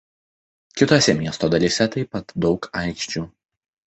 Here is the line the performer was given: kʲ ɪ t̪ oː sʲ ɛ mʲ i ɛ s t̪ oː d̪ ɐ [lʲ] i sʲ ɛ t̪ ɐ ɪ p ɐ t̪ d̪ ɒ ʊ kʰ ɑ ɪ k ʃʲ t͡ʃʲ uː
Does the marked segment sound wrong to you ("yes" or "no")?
no